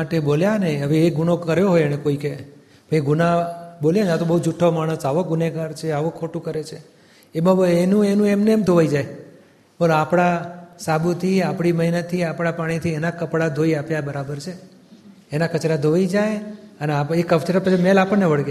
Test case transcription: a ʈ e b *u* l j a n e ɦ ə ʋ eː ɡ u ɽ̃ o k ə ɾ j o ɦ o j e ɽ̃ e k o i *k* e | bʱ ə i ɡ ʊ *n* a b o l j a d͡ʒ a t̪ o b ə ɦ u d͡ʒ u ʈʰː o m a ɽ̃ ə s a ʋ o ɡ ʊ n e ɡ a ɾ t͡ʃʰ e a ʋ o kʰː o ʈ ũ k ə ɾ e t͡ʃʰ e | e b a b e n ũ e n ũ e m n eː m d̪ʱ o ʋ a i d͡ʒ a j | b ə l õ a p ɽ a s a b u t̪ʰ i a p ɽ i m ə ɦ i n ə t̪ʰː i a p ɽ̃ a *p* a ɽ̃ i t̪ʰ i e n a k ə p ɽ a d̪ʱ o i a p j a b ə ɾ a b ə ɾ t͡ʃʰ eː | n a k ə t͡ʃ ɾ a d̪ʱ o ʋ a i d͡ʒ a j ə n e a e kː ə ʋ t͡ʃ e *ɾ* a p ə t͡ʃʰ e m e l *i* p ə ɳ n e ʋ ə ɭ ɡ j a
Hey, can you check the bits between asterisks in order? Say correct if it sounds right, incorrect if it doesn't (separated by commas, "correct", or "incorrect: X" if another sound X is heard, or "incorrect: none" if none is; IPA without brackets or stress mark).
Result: incorrect: o, correct, correct, correct, correct, incorrect: a